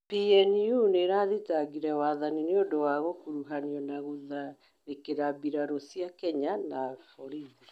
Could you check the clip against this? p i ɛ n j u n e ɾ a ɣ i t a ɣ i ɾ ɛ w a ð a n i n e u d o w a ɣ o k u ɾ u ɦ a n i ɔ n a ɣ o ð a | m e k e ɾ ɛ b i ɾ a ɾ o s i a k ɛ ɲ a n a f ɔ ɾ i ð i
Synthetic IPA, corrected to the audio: p i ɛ n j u n e ɾ a ð i t a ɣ i ɾ ɛ w a ð a n i n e o d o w a ɣ o k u ɾ u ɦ a n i ɔ n a ɣ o ð a | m e k e ɾ a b i ɾ a ɾ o s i a k ɛ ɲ a n a f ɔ ɾ i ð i